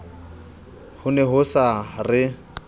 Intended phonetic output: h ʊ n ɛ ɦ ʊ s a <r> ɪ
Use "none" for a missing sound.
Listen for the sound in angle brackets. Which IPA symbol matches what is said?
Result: r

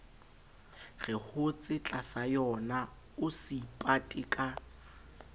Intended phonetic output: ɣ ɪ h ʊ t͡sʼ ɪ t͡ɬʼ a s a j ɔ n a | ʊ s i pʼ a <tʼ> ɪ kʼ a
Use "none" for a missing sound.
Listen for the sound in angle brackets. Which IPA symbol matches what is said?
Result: tʼ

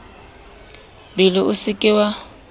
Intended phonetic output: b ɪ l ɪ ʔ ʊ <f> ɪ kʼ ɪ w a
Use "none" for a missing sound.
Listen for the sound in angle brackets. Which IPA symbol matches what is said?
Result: s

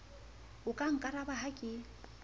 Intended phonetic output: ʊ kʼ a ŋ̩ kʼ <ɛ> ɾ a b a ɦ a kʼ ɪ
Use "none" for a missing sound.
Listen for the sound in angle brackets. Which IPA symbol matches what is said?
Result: a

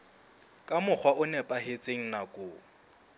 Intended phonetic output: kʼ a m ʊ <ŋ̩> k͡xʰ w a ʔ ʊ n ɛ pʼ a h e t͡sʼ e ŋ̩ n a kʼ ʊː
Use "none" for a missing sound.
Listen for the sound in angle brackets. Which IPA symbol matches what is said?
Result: none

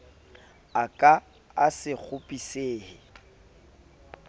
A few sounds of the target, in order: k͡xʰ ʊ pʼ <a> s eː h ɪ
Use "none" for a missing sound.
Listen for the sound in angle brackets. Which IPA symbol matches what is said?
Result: i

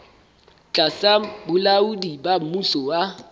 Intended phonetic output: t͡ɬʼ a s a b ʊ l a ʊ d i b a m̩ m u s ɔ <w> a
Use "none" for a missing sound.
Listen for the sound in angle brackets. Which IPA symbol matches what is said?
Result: w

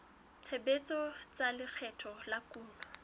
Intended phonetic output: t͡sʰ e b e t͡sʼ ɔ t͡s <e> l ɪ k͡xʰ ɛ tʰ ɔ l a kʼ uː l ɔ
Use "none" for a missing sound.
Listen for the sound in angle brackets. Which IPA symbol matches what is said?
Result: a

